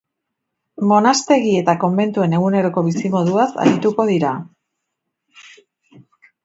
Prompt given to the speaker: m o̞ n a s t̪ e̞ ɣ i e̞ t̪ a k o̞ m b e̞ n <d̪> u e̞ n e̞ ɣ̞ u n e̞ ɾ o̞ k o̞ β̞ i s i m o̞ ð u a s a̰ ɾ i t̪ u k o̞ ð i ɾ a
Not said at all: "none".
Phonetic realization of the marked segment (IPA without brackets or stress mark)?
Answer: t̪